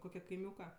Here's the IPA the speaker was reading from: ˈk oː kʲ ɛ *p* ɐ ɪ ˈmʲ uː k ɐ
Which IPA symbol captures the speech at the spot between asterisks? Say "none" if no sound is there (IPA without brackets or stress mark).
k